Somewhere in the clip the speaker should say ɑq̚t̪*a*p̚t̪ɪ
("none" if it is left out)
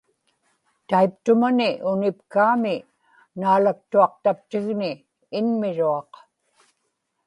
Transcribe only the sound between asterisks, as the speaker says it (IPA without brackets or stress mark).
a